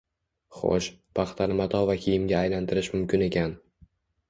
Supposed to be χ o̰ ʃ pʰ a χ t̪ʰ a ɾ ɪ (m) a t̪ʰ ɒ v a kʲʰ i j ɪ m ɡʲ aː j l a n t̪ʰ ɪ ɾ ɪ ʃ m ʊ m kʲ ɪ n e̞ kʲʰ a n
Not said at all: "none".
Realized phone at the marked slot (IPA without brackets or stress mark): m